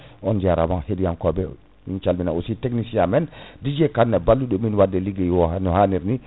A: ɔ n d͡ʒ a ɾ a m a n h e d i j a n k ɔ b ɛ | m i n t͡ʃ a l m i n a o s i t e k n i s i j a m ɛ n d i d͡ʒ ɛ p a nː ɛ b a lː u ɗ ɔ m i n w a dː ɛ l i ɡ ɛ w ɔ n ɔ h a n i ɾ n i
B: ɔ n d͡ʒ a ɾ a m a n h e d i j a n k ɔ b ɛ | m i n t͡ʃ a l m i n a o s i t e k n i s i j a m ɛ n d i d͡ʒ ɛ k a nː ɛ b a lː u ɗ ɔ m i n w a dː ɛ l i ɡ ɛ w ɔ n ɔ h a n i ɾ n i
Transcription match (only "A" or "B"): B